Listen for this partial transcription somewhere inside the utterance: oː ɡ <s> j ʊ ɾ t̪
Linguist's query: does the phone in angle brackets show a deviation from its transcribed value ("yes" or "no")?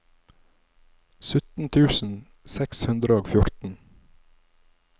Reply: yes